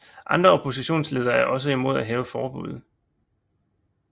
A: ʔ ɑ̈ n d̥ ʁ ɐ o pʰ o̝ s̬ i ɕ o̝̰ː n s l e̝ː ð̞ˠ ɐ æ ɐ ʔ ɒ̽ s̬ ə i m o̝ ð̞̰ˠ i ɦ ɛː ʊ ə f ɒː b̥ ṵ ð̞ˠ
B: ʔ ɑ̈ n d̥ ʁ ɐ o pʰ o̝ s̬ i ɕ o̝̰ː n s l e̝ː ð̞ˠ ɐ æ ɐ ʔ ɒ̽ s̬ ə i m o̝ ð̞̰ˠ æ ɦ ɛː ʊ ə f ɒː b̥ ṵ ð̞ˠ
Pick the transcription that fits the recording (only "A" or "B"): B